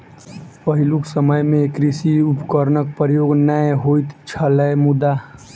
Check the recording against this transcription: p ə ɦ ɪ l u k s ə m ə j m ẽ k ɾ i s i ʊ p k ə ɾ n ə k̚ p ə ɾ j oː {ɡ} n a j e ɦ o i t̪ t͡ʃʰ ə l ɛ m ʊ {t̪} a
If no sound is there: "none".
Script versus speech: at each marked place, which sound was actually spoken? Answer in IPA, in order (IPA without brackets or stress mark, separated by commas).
ɡ, d̪